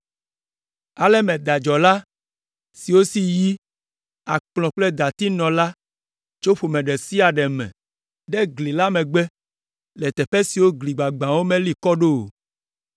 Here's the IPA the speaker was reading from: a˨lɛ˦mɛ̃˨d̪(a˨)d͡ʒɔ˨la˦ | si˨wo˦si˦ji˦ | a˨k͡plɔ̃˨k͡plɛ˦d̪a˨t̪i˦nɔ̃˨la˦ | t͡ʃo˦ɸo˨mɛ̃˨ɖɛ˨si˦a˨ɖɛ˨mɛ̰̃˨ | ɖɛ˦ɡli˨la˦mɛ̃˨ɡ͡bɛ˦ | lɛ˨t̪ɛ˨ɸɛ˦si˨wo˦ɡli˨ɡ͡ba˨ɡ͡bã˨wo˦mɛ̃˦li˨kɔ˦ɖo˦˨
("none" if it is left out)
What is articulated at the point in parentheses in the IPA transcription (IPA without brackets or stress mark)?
a˨